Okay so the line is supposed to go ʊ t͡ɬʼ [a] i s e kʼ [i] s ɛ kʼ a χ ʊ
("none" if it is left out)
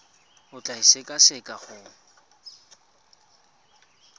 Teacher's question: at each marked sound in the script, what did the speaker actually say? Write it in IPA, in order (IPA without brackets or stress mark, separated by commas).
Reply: a, a